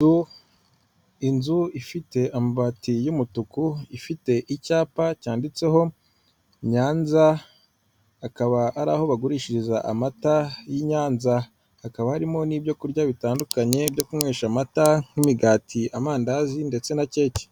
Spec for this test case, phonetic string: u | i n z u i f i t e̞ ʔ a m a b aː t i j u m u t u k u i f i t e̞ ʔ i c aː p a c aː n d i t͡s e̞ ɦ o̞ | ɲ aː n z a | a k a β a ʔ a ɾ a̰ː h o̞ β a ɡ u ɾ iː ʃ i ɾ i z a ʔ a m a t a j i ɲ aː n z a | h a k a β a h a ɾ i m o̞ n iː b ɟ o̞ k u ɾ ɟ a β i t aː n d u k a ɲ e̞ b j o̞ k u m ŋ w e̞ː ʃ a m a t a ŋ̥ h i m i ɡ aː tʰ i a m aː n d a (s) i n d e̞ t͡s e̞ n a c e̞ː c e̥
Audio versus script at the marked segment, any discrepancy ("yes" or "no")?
yes